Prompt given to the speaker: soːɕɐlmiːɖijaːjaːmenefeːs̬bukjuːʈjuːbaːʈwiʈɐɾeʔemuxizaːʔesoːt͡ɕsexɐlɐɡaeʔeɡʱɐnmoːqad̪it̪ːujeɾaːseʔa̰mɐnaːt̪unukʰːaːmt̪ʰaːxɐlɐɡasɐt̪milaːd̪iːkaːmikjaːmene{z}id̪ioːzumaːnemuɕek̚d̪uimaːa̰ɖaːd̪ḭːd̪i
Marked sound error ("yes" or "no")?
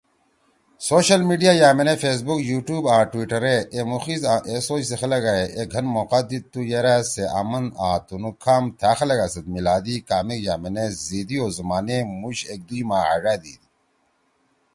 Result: no